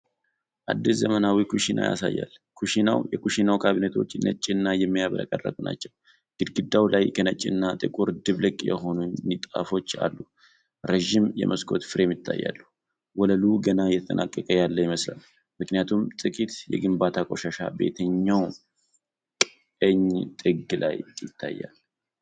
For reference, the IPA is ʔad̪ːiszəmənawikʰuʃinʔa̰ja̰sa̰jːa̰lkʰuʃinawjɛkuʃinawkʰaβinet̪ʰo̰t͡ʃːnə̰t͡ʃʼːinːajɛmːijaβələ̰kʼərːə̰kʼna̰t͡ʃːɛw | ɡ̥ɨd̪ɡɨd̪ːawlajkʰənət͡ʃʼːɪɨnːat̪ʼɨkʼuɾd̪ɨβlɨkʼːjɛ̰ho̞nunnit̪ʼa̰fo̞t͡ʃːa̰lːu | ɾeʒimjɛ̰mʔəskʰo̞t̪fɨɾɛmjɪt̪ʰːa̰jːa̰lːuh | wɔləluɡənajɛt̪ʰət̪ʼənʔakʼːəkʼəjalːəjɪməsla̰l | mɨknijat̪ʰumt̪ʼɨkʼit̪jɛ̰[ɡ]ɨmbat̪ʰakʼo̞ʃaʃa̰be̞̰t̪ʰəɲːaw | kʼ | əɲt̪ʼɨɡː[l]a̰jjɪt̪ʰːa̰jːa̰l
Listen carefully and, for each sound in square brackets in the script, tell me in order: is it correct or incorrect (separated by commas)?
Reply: correct, correct